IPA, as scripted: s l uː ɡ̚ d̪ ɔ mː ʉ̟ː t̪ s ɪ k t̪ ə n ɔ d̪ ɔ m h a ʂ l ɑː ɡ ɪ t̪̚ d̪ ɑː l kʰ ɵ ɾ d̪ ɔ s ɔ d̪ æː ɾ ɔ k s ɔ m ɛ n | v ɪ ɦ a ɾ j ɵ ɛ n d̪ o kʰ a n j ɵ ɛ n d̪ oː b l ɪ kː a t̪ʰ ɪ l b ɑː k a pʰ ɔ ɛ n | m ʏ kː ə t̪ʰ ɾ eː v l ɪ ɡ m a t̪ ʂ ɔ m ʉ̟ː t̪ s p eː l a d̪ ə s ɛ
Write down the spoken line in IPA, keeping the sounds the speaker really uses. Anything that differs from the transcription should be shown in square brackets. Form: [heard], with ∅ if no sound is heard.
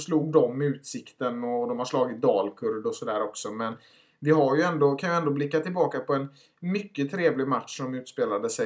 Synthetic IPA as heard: s l uː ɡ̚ d̪ ɔ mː ʉ̟ː t̪ s ɪ k t̪ ə n ɔ d̪ ɔ m h a ʂ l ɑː ɡ ɪ t̪̚ d̪ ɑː l kʰ ɵ ɾ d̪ ɔ s ɔ d̪ æː ɾ ɔ k s ɔ m ɛ n | v ɪ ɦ a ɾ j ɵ ɛ n d̪ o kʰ a n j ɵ ɛ n d̪ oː b l ɪ kː a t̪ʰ ɪ l b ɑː k a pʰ ɔ ɛ n | m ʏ kː ə t̪ʰ ɾ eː v l ɪ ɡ m a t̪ ʂ ɔ m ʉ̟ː t̪ s p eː l a d̪ ə s ɛ